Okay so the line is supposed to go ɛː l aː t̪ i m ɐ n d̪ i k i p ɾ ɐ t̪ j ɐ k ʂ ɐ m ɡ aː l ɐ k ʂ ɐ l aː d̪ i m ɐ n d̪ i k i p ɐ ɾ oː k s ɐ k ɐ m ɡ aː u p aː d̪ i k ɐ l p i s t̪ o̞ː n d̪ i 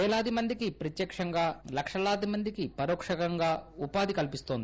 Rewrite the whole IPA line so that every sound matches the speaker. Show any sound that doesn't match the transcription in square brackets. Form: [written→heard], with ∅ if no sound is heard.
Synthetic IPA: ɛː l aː [t̪→d̪] i m ɐ n d̪ i k i p ɾ ɐ t̪ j ɐ k ʂ ɐ [m→ŋ] ɡ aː l ɐ k ʂ ɐ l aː d̪ i m ɐ n d̪ i k i p ɐ ɾ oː k [s→ʂ] ɐ k ɐ [m→ŋ] ɡ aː u p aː d̪ i k ɐ l p i s t̪ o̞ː n d̪ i

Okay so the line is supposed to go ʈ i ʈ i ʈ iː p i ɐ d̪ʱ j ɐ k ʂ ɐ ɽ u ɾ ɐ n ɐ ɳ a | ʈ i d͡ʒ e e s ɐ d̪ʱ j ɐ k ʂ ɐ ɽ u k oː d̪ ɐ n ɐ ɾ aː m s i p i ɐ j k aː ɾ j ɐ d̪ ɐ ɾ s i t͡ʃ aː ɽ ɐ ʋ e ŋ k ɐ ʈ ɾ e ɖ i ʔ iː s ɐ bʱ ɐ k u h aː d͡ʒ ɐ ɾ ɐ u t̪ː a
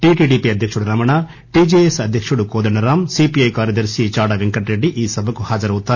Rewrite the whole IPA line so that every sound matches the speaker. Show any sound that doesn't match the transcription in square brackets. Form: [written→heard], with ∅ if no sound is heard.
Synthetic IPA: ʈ i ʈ i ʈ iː p i ɐ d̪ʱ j ɐ k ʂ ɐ ɽ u ɾ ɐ [n→m] ɐ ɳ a | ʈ i d͡ʒ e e s ɐ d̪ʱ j ɐ k ʂ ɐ ɽ u k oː d̪ ɐ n ɐ ɾ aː m s i p i ɐ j k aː ɾ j ɐ d̪ ɐ ɾ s i t͡ʃ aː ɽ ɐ ʋ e ŋ k ɐ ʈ ɾ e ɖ i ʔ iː s ɐ bʱ ɐ k u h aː d͡ʒ ɐ ɾ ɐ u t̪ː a

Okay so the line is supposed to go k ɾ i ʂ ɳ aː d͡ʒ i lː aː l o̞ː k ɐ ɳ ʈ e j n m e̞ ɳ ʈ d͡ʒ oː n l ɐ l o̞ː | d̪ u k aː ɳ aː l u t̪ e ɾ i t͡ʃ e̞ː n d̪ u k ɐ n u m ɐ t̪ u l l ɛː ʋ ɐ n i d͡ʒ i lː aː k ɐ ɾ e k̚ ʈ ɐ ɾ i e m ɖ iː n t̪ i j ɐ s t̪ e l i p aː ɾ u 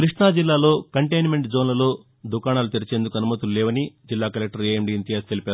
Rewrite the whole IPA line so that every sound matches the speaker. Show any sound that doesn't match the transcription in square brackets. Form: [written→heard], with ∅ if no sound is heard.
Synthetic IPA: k ɾ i ʂ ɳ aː d͡ʒ i lː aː l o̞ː k ɐ ɳ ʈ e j n m e̞ ɳ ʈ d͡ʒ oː n l ɐ l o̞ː | d̪ u k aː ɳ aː l u t̪ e ɾ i t͡ʃ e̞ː n d̪ u k ɐ n u m ɐ t̪ u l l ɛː ʋ ɐ n i d͡ʒ i lː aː k ɐ [ɾ→l] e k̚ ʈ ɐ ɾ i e m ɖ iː n t̪ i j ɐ s t̪ e l i p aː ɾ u

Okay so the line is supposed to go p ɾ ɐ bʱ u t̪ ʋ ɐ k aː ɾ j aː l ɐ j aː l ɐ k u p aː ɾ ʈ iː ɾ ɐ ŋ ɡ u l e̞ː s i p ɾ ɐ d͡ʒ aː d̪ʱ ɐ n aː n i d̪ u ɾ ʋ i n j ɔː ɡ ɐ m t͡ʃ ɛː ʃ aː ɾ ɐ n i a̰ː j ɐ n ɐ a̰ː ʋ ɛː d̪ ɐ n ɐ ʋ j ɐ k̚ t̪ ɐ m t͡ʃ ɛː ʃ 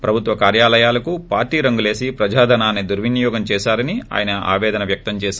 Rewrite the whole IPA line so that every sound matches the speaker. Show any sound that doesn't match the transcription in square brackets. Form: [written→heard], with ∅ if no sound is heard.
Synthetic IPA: p ɾ ɐ bʱ u t̪ ʋ ɐ k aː ɾ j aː l ɐ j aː l ɐ k u p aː ɾ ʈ iː ɾ ɐ ŋ ɡ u l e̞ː s i p ɾ ɐ d͡ʒ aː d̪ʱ ɐ n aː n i d̪ u ɾ ʋ i n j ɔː ɡ ɐ m t͡ʃ ɛː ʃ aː ɾ ɐ n i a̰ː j ɐ n ɐ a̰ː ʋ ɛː d̪ ɐ n ɐ ʋ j ɐ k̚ t̪ ɐ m t͡ʃ ɛː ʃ

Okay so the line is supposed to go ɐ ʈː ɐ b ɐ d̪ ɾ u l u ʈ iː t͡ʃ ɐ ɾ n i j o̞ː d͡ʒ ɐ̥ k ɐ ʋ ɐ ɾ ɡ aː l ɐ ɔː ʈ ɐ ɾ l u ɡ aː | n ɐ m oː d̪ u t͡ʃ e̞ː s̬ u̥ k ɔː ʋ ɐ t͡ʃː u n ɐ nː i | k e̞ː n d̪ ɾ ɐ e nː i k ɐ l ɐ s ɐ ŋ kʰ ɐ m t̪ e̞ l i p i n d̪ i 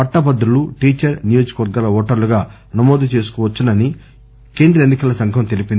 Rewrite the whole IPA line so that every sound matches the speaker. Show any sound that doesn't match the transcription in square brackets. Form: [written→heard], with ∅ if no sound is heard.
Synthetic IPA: ɐ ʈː ɐ b ɐ d̪ ɾ u l u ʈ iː t͡ʃ ɐ ɾ n i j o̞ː d͡ʒ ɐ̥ k ɐ ʋ ɐ ɾ ɡ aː l ɐ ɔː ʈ ɐ ɾ l u ɡ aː | n ɐ m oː d̪ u t͡ʃ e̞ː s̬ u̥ k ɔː ʋ ɐ t͡ʃː u n ɐ [nː→n] i | k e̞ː n d̪ ɾ ɐ e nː i k ɐ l ɐ s ɐ ŋ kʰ ɐ m t̪ e̞ l i p i n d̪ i

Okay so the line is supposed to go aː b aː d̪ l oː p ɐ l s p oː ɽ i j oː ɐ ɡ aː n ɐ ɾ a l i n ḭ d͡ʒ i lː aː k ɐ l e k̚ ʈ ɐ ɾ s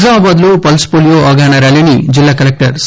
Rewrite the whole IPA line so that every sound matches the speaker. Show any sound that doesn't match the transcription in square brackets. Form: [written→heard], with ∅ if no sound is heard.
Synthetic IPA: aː b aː d̪ l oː p ɐ l s p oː [ɽ→l] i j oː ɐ ɡ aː n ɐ ɾ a l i n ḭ d͡ʒ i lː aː k ɐ l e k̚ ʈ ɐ ɾ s

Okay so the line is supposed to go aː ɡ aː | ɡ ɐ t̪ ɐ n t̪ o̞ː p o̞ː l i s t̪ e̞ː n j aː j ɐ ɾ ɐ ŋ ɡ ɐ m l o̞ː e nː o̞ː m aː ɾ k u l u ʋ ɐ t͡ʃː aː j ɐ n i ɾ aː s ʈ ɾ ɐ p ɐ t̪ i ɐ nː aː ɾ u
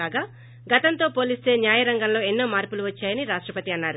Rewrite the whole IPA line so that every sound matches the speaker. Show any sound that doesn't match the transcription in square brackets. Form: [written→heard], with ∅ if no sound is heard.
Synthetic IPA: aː ɡ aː | ɡ ɐ t̪ ɐ n t̪ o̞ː p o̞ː l i s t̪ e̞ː n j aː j ɐ ɾ ɐ ŋ ɡ ɐ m l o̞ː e nː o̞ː m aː ɾ [k→p] u l u ʋ ɐ t͡ʃː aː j ɐ n i ɾ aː [s→ʂ] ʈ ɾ ɐ p ɐ t̪ i ɐ nː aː ɾ u

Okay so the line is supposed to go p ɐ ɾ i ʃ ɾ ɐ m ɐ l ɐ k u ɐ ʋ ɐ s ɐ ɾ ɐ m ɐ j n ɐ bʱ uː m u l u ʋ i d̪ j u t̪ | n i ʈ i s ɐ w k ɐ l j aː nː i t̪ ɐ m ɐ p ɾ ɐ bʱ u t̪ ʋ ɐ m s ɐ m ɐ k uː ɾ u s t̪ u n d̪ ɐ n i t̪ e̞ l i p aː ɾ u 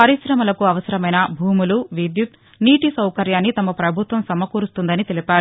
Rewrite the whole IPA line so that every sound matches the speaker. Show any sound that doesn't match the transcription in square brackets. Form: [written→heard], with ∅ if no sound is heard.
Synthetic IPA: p ɐ ɾ i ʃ ɾ ɐ m ɐ l ɐ k u ɐ ʋ ɐ s ɐ ɾ ɐ m ɐ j n ɐ bʱ uː m u l u ʋ i d̪ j u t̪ | n [i→iː] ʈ i s ɐ w k ɐ [l→ɾ] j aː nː i t̪ ɐ m ɐ p ɾ ɐ bʱ u t̪ ʋ ɐ m s ɐ m ɐ k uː ɾ u s t̪ u n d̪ ɐ n i t̪ e̞ l i p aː ɾ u

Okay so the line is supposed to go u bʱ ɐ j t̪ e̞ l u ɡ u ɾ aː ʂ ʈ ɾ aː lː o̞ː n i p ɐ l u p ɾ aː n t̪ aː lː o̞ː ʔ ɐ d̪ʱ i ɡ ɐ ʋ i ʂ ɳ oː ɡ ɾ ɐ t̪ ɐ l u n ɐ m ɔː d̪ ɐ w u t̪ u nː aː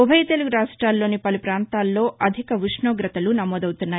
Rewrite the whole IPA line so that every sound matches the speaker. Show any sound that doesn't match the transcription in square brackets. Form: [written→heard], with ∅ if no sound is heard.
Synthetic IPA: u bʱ ɐ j t̪ e̞ l u ɡ u ɾ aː ʂ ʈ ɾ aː lː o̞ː n i p ɐ l u p ɾ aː n t̪ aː lː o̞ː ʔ ɐ d̪ʱ i [ɡ→k] ɐ ʋ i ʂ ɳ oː ɡ ɾ ɐ t̪ ɐ l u n ɐ m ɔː d̪ ɐ w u t̪ u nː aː

